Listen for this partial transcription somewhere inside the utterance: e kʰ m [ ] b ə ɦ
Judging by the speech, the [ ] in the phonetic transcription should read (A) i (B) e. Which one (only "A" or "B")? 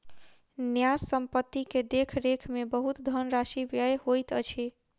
B